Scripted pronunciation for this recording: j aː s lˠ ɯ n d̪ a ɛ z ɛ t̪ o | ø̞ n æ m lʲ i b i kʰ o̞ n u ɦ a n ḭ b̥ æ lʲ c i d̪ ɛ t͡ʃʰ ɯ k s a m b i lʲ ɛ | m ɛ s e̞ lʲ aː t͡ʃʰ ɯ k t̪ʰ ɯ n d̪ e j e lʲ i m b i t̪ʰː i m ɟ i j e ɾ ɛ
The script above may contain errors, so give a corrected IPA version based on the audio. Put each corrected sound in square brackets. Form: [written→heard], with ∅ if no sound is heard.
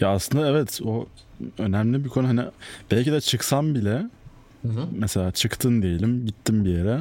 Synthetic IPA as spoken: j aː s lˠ ɯ n d̪ a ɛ [z→v] ɛ t̪ o | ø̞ n æ m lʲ i b i kʰ o̞ n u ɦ a n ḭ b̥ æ lʲ c i d̪ ɛ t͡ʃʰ ɯ k s a m b i lʲ ɛ | m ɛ s e̞ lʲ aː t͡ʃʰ ɯ k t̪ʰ ɯ n d̪ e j e lʲ i m [b→ɟ] i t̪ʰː i m [ɟ→b] i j e ɾ ɛ